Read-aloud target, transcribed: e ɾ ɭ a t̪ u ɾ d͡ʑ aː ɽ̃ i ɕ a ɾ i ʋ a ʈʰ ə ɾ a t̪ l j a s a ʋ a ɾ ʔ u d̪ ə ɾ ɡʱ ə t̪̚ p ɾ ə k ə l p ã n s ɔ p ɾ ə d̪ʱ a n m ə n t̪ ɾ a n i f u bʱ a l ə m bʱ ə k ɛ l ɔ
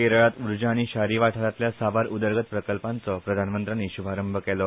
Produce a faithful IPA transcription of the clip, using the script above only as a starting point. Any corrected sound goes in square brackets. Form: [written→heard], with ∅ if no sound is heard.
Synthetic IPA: e ɾ ɭ a t̪ u ɾ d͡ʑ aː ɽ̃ i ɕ a ɾ i ʋ a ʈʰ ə ɾ a t̪ l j a s a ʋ a ɾ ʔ u d̪ ə ɾ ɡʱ ə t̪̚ p ɾ ə k ə l p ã n [s→t͡s] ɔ p ɾ ə d̪ʱ a n m ə n t̪ ɾ a n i [f→ɕ] u bʱ a [l→ɾ] ə m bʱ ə k ɛ l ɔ

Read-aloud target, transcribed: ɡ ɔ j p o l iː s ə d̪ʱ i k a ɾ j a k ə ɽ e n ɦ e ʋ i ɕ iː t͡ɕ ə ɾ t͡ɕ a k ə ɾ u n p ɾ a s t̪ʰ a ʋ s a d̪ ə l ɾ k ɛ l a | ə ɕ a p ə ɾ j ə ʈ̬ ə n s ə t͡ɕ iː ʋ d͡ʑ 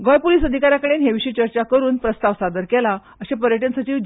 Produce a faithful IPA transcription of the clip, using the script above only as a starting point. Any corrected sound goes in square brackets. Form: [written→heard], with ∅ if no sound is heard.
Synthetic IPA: ɡ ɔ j p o l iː s ə d̪ʱ i k a ɾ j a k ə ɽ e n ɦ e ʋ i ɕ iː t͡ɕ ə ɾ t͡ɕ a k ə ɾ [u→uː] n p ɾ [a→ə] s [t̪ʰ→t̪] a ʋ s a d̪ ə [l→∅] ɾ k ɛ l a | ə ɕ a p ə ɾ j ə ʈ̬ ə n s ə t͡ɕ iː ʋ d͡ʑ

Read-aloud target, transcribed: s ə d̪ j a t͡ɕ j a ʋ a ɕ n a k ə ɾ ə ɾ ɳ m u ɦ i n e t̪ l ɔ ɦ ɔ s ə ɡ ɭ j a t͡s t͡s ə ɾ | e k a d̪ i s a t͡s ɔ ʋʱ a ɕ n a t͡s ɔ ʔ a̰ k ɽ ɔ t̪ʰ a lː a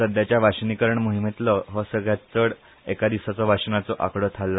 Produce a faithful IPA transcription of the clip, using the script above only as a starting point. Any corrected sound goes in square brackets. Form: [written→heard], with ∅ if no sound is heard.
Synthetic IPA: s ə d̪ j a t͡ɕ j a ʋ a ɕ n [a→i] k ə ɾ ə [ɾ→∅] ɳ m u ɦ i [n→m] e t̪ l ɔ ɦ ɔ s ə ɡ ɭ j a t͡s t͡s ə [ɾ→ɽ] | e k a d̪ i s a t͡s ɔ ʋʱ a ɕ n a t͡s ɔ ʔ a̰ k ɽ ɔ t̪ʰ a lː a

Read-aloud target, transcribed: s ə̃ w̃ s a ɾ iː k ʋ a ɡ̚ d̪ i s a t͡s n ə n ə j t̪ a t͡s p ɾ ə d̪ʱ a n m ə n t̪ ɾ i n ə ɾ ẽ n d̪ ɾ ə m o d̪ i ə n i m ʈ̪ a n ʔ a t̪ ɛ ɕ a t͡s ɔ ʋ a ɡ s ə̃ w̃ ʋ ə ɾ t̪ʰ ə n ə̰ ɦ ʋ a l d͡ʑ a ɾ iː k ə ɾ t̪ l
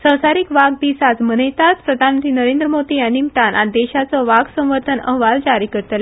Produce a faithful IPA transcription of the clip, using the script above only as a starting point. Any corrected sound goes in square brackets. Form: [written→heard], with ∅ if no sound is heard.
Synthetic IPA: s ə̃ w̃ s a ɾ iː k ʋ a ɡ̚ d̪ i s a t͡s [n→m] ə n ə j t̪ a t͡s p ɾ ə d̪ʱ a n m ə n t̪ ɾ i n ə ɾ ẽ n d̪ ɾ ə m o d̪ i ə n i m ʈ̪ a n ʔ a [t̪→d̪] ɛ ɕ a t͡s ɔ ʋ a ɡ s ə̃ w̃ ʋ ə ɾ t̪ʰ ə n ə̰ ɦ ʋ a l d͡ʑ a ɾ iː k ə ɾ t̪ l

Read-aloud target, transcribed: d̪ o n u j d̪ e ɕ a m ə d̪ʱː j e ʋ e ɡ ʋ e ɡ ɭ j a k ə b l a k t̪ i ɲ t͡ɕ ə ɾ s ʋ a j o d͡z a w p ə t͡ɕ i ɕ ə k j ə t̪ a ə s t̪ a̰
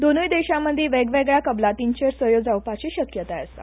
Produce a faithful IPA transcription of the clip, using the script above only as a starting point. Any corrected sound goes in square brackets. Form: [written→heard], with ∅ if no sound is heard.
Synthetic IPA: d̪ o n u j d̪ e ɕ a m ə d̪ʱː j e ʋ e ɡ ʋ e ɡ ɭ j a k ə b l a [k→∅] t̪ i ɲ t͡ɕ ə ɾ s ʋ [a→ə] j o d͡z a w p [ə→a] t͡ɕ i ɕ ə k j ə t̪ a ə s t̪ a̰

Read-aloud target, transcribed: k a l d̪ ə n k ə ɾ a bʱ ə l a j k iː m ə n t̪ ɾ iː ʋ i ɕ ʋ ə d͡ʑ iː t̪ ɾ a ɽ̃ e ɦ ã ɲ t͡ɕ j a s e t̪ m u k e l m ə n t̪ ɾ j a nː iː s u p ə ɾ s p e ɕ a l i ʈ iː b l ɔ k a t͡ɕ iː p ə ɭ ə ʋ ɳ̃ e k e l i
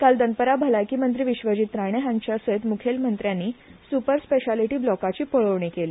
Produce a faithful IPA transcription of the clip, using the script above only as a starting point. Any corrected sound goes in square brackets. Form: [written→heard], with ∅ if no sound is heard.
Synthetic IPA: k a l d̪ ə n [k→p] ə ɾ a bʱ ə l a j k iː m ə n t̪ ɾ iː ʋ i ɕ ʋ ə d͡ʑ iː t̪ ɾ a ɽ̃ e ɦ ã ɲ t͡ɕ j a s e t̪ m u [k→kʰ] e l m ə n t̪ ɾ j a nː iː s u p ə ɾ s p e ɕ a l i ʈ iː b l ɔ k a t͡ɕ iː p ə ɭ ə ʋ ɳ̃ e k e l i

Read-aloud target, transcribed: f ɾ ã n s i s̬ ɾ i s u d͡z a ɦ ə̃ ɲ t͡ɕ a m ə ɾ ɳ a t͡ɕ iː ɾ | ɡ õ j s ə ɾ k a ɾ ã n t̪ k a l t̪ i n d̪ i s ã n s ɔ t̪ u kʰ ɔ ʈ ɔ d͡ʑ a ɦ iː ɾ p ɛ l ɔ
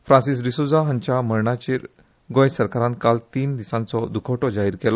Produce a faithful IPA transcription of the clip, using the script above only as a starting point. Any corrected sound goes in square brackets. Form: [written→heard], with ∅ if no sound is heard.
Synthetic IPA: f ɾ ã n s i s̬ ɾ i s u d͡z a ɦ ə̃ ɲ t͡ɕ a m ə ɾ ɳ a t͡ɕ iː ɾ | ɡ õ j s ə ɾ k a ɾ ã n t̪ k a l t̪ [i→iː] n d̪ i s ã n [s→t͡s] ɔ [t̪→d̪] u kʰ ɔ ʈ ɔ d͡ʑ a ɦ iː ɾ [p→k] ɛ l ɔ

